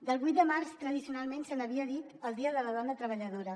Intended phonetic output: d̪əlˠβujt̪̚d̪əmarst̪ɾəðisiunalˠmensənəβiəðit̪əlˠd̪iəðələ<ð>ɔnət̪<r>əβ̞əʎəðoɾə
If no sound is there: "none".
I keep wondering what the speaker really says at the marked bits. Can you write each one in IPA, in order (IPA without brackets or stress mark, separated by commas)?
ð, ɾ